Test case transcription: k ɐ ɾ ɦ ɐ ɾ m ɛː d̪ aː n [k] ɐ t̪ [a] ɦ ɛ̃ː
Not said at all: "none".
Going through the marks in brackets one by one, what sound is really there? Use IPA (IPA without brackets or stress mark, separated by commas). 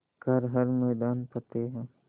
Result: p, e